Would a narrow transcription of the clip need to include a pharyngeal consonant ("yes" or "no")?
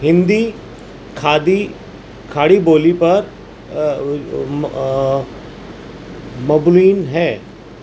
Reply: no